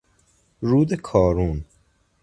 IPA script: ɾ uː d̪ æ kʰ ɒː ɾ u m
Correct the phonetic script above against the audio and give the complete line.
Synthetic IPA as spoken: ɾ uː d̪ e kʰ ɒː ɾ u n

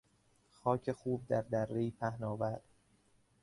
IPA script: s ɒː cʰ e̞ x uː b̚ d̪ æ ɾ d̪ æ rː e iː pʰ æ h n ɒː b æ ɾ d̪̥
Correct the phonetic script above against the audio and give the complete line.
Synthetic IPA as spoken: x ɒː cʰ e̞ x uː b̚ d̪ æ ɾ d̪ æ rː e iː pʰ æ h n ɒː v æ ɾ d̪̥

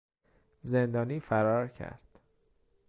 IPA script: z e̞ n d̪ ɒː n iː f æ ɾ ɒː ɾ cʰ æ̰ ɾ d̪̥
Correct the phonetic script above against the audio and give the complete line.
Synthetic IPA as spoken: z e̞ n d̪ ɒː n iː f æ ɾ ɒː ɾ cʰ æ̰ ɾ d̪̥

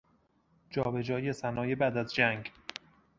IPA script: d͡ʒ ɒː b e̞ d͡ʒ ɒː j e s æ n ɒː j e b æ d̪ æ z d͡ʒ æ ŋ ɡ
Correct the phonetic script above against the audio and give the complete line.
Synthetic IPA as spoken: d͡ʒ ɒː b e̞ d͡ʒ ɒː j e s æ n ɒː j e b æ d̪ æ z d͡ʒ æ ŋ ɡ

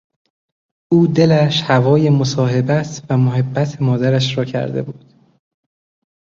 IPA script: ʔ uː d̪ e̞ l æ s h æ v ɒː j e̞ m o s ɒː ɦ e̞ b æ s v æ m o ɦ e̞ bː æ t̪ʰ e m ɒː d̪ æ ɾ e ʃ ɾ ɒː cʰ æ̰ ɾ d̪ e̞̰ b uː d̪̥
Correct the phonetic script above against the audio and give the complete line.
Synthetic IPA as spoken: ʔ uː d̪ e̞ l æ ʃ h æ v ɒː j e̞ m o s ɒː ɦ e̞ b æ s v æ m o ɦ e̞ bː æ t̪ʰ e m ɒː d̪ æ ɾ æ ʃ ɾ ɒː cʰ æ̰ ɾ d̪ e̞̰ b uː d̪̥

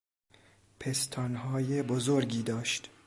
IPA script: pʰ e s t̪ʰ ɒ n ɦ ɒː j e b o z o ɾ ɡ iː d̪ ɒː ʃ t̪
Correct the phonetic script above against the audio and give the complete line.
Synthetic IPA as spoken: pʰ e s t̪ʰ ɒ n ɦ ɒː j e b o z o ɾ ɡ iː d̪ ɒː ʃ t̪

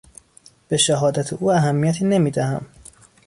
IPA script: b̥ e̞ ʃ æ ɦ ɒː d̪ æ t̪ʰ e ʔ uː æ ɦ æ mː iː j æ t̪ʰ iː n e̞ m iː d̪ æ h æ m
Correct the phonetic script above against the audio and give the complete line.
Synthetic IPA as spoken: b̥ e̞ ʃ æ ɦ ɒː d̪ æ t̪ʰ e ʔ uː æ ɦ æ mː i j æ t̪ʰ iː n e̞ m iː d̪ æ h æ m

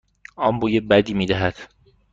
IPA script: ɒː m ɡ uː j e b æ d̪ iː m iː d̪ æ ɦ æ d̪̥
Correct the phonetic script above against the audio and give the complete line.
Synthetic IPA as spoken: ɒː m b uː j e b æ d̪ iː m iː d̪ æ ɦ æ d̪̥

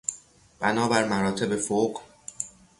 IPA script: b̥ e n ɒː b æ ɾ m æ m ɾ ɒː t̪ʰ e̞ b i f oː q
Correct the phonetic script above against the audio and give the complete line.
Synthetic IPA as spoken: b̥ æ n ɒː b æ ɾ m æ ɾ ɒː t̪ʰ e̞ b e f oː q

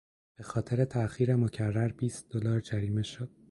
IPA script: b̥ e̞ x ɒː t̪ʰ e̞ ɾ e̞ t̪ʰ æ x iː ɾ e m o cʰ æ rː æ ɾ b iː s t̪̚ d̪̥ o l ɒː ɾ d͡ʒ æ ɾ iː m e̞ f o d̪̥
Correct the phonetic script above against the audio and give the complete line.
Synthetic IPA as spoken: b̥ e̞ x ɒː t̪ʰ e̞ ɾ e̞ t̪ʰ æ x iː ɾ e m o cʰ æ rː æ ɾ b iː s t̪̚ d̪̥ o l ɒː ɾ d͡ʒ æ ɾ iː m e̞ ʃ o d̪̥

